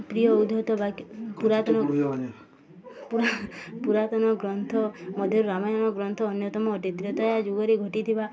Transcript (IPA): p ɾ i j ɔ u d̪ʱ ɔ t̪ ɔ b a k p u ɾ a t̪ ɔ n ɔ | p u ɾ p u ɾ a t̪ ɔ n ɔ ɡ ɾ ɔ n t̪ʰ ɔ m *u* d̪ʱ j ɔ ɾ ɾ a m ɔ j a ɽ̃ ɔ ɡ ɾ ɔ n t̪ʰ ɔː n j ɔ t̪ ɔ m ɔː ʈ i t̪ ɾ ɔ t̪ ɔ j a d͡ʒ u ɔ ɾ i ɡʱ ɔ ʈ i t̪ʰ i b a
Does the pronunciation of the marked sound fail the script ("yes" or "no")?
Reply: yes